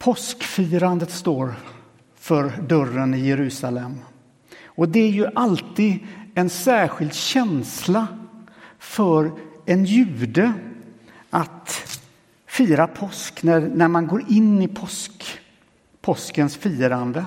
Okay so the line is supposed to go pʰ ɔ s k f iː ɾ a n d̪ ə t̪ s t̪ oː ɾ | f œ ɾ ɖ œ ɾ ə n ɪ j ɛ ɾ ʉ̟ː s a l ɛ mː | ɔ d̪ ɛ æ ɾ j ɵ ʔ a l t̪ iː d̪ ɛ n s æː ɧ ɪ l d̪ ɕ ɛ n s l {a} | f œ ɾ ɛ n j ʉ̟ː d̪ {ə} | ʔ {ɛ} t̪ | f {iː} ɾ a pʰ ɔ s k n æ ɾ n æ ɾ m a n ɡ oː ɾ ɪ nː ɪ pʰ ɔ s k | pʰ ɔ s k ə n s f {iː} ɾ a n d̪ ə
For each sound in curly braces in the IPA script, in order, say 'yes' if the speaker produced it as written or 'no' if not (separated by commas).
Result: yes, yes, no, yes, yes